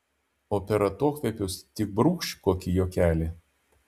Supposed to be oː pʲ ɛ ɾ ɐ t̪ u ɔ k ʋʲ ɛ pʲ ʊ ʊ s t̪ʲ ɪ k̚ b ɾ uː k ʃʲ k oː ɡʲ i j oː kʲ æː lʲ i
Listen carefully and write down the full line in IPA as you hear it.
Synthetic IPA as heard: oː pʲ ɛ ɾ ɐ t̪ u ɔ k ʋʲ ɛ pʲ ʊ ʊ s t̪ʲ ɪ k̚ b ɾ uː k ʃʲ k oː kʲ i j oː kʲ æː lʲ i